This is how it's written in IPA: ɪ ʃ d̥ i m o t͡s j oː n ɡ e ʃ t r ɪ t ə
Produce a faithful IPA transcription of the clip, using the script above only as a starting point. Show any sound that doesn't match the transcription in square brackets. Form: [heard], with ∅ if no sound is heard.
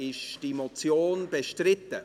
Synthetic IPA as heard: ɪ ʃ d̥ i m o t͡s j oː n [b] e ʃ t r ɪ t ə